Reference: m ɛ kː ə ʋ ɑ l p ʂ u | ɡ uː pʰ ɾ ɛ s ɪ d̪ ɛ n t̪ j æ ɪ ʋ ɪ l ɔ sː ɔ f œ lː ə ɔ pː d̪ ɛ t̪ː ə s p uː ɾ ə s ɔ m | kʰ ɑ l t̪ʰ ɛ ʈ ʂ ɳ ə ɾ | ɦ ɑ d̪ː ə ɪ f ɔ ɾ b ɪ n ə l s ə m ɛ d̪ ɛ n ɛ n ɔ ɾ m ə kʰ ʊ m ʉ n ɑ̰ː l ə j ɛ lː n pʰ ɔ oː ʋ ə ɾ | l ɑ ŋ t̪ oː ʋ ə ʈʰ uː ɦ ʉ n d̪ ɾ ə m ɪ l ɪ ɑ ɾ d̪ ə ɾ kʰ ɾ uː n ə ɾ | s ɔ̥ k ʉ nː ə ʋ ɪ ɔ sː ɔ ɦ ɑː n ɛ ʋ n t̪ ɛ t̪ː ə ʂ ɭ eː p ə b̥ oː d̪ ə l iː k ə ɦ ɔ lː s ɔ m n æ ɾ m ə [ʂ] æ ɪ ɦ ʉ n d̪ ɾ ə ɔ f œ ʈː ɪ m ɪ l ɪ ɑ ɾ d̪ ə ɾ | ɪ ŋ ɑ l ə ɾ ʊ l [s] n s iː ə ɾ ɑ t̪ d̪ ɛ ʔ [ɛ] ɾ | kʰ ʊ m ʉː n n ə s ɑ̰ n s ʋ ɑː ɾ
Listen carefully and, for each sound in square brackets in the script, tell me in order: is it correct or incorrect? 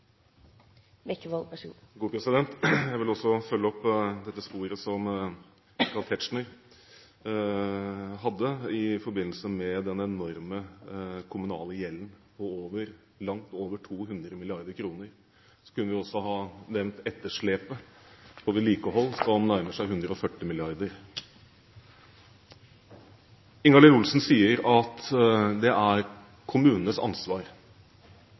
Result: correct, correct, incorrect

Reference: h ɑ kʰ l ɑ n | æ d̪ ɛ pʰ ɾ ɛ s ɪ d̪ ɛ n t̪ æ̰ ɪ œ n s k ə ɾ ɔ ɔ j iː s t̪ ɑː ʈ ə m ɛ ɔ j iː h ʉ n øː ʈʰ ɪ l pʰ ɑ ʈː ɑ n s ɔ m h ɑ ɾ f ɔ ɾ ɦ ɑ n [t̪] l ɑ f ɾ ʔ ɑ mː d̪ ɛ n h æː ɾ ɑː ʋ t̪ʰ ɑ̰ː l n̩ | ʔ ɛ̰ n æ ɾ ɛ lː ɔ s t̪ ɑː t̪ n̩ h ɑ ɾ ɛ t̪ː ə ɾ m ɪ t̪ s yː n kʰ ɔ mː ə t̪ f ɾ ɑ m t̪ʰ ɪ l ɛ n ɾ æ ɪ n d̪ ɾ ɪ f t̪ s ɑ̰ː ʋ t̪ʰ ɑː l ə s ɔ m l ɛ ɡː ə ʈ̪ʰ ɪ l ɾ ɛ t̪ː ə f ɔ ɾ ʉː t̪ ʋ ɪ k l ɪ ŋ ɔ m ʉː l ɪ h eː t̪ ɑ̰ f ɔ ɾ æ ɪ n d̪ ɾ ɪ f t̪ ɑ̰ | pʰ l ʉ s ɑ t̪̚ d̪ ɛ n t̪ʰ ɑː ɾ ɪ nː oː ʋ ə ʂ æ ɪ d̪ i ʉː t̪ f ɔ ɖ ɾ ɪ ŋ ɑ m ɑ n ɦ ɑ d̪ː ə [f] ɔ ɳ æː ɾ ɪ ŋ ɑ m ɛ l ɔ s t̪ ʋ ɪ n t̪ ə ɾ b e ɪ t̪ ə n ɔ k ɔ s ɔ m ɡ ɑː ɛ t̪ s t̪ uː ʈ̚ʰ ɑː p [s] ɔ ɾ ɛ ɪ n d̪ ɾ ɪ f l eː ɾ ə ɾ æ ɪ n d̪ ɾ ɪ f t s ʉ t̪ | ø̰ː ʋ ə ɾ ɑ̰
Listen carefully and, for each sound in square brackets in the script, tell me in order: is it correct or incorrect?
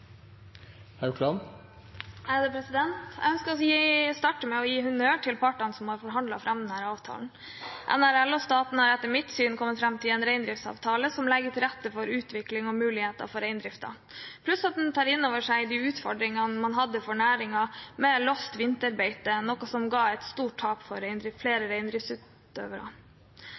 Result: incorrect, correct, incorrect

